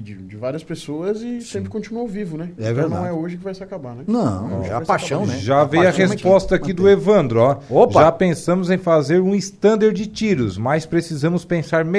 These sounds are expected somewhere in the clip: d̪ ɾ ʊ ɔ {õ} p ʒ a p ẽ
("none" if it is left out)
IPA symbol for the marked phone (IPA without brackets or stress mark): o